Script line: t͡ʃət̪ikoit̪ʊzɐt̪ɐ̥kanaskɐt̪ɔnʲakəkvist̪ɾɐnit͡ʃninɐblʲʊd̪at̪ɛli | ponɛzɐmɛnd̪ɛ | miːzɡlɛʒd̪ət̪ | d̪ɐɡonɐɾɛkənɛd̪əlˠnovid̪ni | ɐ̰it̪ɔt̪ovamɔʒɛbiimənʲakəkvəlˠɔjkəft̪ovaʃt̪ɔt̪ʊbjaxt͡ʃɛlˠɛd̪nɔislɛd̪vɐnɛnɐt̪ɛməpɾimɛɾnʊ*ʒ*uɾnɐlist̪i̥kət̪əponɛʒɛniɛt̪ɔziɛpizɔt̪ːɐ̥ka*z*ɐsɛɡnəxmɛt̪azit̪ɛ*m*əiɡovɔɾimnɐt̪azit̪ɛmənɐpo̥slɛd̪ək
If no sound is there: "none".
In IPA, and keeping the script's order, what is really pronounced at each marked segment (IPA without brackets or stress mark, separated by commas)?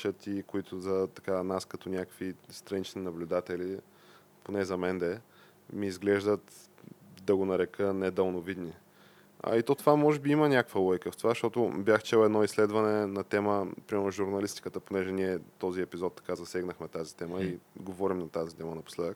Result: ʒ, z, m